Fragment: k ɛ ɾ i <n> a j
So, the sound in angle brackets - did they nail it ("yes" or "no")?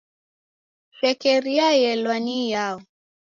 no